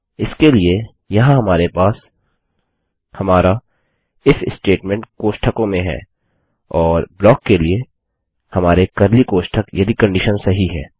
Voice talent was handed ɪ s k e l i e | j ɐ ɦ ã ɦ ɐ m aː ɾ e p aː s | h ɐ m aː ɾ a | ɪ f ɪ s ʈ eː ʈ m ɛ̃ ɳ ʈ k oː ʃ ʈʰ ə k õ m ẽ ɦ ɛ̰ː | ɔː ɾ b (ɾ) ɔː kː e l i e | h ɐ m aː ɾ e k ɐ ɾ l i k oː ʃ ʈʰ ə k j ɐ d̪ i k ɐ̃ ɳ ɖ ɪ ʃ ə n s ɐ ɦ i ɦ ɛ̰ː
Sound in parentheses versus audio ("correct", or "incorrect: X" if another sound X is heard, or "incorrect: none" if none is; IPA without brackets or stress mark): incorrect: l